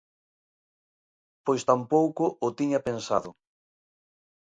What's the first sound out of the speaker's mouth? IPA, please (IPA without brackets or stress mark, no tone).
p